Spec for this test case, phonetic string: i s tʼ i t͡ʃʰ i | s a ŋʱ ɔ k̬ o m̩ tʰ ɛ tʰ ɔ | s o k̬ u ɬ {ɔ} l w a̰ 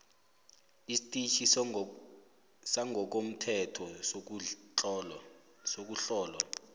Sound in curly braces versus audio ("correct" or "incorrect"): incorrect